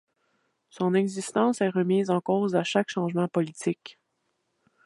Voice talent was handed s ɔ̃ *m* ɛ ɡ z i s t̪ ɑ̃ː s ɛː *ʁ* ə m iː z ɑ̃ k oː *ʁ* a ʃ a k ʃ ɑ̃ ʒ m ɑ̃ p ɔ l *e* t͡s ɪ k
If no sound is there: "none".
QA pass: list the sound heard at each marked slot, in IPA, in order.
n, ʁ, z, i

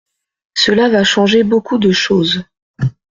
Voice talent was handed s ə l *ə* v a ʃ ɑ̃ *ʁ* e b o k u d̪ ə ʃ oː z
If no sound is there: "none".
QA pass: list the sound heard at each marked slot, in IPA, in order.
a, ʒ

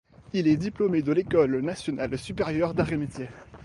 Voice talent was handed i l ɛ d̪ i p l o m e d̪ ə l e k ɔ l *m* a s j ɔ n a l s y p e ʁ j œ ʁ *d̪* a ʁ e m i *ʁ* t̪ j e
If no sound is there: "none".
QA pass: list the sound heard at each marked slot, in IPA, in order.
n, d̪, none

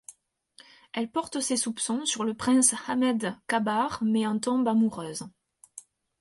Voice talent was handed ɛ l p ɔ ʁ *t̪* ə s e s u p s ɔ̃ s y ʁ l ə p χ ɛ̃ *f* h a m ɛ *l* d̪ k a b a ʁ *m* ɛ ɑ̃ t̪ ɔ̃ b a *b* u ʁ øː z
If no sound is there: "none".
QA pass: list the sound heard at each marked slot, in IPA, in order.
t̪, s, none, m, m

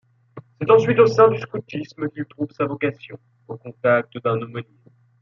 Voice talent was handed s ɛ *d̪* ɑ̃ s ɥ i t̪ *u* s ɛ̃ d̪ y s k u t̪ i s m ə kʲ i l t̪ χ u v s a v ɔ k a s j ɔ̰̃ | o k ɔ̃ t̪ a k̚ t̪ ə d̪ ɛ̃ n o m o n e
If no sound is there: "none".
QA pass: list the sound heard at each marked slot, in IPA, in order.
t̪, o

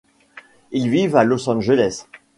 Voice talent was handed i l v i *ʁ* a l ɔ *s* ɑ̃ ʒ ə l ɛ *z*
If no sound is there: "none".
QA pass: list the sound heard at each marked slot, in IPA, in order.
v, s, s

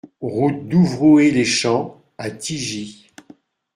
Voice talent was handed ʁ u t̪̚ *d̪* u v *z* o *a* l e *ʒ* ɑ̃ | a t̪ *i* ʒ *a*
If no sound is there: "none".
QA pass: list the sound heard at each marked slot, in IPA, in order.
d̪, ʁ, e, ʃ, i, i

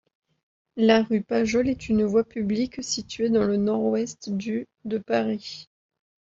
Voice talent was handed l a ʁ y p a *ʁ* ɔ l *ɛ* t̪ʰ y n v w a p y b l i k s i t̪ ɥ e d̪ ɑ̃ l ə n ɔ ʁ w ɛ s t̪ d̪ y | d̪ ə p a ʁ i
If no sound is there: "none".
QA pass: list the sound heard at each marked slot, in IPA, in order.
ʒ, ɛ

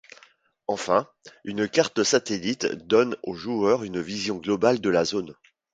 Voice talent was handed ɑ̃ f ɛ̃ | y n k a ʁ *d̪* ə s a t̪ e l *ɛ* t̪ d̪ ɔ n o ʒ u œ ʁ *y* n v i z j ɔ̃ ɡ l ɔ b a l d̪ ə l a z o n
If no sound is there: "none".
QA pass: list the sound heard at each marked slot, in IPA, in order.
t̪, i, y

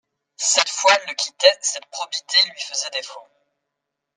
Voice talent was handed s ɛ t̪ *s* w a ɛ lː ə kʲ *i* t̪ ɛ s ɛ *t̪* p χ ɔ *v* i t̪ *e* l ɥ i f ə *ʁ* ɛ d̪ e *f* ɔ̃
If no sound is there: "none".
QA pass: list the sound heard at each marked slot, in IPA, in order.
f, i, t̪, b, e, z, f

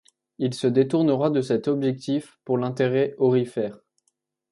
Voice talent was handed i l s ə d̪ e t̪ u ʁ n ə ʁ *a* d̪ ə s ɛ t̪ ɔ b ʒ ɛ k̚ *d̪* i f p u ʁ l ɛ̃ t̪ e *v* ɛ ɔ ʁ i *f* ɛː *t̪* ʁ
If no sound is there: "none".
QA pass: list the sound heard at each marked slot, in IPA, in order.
a, t̪, ʁ, f, none

